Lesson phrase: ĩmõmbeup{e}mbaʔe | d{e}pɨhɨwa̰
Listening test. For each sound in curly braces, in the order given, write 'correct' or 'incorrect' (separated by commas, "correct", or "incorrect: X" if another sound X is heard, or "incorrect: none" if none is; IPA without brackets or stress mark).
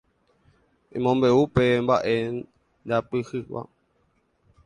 correct, incorrect: a